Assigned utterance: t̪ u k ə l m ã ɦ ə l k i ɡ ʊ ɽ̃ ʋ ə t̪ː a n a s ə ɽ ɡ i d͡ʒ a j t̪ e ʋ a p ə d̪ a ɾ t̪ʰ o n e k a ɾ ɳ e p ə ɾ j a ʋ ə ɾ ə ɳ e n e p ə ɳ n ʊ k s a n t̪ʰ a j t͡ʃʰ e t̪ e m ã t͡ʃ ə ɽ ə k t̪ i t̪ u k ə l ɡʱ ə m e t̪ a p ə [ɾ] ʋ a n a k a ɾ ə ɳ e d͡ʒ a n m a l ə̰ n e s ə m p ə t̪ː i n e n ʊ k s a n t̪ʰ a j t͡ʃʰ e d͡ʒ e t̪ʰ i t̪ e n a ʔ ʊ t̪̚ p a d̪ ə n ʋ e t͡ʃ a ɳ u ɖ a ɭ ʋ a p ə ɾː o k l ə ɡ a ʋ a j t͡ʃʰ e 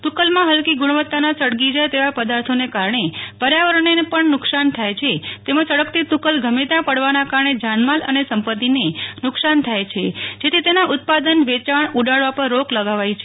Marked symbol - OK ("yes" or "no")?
no